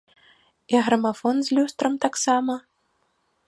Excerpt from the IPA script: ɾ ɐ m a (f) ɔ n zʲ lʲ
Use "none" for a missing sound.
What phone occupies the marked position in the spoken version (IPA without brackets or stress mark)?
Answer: f